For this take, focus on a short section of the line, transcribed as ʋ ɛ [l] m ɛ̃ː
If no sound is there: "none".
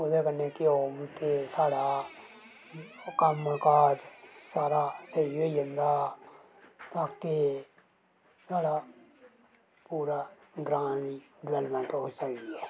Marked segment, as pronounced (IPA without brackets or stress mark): l